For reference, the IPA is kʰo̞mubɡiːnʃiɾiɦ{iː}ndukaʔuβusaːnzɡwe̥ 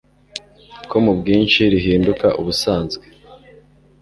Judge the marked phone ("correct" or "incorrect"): correct